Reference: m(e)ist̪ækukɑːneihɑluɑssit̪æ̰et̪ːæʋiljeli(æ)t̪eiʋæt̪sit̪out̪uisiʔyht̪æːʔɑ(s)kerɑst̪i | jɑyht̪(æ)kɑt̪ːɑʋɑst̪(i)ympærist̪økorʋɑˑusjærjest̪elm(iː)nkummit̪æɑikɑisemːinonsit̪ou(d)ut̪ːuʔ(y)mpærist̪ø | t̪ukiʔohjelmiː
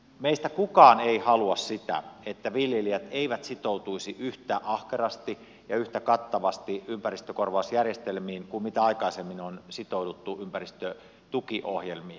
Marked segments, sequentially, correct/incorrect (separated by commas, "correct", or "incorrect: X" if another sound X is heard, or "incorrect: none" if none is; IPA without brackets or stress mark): correct, correct, incorrect: h, correct, correct, correct, correct, correct